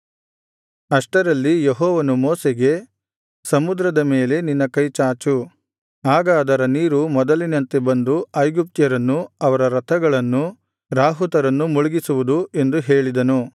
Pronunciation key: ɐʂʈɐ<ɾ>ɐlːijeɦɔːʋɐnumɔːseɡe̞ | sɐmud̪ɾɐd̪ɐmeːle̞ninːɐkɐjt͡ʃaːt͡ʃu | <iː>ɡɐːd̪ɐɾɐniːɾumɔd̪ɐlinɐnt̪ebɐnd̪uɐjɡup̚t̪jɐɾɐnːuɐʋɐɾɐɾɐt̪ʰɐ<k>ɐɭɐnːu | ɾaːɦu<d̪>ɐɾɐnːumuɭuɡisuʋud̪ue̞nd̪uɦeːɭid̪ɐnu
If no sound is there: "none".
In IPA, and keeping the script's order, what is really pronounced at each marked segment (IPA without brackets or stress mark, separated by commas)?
ɾ, aː, ɡ, t̪